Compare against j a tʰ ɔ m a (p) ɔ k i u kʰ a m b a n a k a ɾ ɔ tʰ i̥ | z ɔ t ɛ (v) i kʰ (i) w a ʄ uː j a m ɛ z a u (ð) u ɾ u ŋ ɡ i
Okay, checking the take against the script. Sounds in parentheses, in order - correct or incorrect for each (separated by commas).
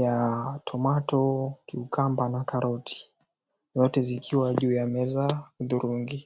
incorrect, incorrect, correct, correct